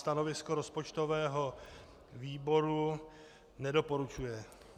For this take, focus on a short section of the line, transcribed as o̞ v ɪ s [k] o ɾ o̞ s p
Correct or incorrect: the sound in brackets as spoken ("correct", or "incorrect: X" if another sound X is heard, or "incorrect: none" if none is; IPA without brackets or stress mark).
correct